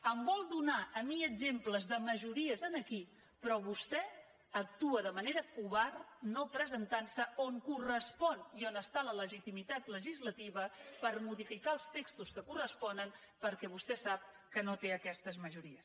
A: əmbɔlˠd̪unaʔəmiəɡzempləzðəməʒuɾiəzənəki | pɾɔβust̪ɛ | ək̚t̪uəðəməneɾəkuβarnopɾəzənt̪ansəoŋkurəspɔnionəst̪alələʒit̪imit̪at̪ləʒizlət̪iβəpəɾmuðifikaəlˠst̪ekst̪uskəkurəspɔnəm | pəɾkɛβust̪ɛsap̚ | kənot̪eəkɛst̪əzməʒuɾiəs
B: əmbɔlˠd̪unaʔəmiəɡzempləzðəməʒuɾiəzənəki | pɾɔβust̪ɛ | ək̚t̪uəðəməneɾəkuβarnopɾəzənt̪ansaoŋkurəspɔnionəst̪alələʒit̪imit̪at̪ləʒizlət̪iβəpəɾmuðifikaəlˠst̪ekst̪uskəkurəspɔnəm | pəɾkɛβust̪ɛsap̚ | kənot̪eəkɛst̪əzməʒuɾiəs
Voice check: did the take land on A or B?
A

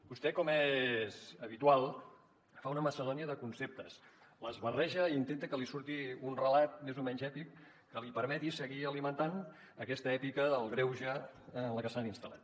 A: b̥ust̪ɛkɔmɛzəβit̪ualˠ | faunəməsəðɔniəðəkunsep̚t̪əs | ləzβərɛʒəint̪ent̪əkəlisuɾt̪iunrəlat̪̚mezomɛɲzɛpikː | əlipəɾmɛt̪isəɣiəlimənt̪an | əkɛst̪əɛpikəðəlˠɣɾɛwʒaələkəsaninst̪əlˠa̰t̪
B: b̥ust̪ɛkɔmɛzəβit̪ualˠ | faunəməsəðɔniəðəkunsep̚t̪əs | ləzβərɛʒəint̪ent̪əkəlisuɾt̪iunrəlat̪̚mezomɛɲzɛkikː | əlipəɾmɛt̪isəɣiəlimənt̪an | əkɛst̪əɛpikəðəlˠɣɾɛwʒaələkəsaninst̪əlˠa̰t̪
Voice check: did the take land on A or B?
A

